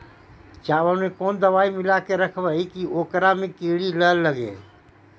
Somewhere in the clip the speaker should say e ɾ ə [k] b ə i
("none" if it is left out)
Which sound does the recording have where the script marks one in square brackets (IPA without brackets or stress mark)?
kʰ